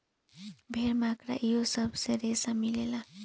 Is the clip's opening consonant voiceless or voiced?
voiced